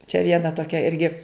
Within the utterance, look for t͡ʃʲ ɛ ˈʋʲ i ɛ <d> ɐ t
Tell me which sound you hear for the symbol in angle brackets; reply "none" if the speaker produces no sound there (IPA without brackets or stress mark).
n